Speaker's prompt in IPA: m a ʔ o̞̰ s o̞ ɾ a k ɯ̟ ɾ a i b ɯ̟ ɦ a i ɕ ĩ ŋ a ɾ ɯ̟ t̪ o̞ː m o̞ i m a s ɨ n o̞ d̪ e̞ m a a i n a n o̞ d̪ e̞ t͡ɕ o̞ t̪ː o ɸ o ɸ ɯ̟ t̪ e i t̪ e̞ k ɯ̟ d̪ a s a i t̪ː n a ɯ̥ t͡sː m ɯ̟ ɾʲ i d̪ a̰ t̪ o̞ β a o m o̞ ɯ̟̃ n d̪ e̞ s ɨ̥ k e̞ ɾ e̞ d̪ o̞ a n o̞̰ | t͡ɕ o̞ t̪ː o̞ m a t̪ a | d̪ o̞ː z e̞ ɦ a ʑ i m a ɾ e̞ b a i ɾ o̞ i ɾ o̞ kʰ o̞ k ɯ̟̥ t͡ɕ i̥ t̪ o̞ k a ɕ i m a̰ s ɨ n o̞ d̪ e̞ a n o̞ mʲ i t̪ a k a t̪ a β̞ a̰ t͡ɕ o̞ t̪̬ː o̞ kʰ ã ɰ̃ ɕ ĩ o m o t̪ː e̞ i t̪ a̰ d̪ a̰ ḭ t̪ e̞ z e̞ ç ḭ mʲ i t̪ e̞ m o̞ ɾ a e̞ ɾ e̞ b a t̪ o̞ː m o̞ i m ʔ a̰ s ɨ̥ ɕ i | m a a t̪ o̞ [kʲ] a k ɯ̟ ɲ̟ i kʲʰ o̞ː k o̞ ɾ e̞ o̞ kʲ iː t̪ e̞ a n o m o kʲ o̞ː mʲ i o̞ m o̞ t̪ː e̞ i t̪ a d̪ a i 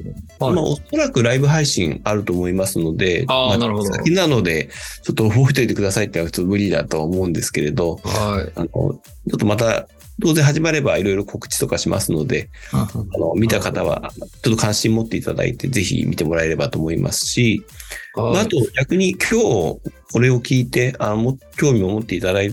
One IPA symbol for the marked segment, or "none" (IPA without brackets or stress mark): ɡʲ